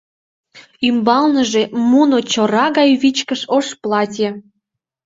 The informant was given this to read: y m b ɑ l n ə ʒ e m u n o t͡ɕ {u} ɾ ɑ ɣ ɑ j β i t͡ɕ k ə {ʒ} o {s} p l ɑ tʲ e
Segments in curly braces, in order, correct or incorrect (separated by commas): incorrect, incorrect, incorrect